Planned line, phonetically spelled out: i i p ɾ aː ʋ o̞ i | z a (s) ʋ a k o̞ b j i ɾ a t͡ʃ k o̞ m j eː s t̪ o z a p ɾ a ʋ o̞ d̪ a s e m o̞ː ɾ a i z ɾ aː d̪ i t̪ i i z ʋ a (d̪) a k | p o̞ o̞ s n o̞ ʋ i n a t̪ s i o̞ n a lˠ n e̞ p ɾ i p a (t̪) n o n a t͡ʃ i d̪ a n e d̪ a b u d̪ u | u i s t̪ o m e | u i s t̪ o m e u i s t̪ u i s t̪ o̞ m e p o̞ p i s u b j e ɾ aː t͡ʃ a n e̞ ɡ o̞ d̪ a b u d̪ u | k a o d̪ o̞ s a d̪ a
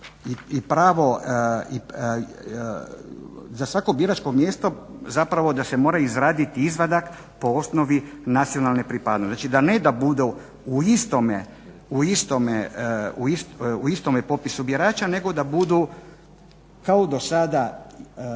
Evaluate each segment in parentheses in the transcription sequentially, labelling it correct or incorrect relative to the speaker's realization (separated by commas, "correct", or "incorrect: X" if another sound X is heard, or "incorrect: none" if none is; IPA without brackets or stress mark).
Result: correct, correct, incorrect: d̪